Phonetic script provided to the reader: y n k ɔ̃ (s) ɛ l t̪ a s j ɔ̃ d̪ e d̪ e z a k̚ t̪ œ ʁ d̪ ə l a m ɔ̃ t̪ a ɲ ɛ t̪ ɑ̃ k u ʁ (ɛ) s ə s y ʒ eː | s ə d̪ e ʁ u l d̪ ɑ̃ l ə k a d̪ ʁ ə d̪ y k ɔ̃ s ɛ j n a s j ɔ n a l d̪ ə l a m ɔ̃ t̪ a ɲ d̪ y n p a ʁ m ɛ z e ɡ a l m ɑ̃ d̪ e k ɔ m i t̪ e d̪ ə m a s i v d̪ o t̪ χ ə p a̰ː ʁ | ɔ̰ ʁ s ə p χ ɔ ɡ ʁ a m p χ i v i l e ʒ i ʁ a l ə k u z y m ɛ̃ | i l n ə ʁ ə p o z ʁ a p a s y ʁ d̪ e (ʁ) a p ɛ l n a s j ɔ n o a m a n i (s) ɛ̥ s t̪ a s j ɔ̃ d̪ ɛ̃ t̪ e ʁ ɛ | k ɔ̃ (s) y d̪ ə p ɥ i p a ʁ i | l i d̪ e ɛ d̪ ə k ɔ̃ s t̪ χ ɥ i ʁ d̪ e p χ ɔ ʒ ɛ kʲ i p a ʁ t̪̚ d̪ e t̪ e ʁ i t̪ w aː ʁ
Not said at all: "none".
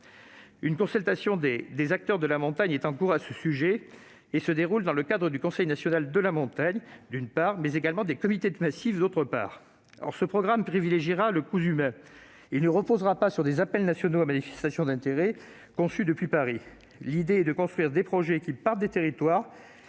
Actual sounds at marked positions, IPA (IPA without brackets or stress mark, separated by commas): s, a, z, f, s